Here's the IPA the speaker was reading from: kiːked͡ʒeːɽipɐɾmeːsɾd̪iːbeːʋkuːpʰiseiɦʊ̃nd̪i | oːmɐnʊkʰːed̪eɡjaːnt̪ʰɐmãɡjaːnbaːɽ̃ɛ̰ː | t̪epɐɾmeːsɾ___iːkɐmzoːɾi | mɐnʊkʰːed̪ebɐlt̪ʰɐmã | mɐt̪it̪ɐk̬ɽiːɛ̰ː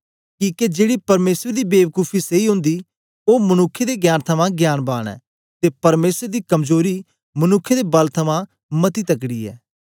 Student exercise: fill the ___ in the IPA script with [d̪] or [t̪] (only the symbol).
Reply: d̪